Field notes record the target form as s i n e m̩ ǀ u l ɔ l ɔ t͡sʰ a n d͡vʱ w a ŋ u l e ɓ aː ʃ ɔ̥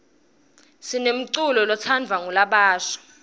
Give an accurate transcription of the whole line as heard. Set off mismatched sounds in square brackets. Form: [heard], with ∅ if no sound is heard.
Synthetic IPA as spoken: s i n e m̩ ǀ u l ɔ l ɔ t͡sʰ a n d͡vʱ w a ŋ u l [a] ɓ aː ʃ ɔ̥